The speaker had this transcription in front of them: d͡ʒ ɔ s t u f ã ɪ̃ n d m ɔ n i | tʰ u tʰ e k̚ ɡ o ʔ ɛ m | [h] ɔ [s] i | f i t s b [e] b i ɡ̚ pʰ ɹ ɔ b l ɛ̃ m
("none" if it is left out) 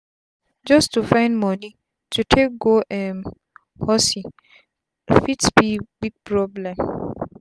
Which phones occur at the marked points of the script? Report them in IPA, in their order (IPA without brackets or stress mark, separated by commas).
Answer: h, s, i